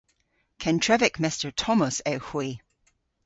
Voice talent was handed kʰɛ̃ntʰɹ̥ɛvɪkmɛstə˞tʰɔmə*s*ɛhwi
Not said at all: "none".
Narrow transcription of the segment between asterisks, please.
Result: s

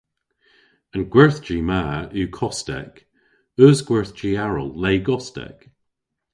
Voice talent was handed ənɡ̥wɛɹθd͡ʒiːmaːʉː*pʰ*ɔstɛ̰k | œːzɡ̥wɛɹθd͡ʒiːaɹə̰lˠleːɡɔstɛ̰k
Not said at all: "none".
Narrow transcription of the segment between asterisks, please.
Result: kʰ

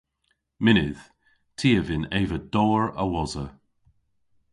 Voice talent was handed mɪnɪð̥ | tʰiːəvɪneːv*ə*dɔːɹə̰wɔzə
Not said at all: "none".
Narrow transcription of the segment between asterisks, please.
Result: ə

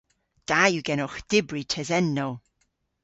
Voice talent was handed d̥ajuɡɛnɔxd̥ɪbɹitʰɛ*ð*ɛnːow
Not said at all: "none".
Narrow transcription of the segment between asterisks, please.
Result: z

